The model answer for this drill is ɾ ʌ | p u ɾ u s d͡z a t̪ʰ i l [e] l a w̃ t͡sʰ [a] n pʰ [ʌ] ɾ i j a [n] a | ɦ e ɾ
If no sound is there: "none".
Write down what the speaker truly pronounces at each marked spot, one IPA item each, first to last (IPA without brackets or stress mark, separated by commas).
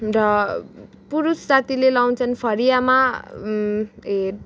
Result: e, ʌ, ʌ, m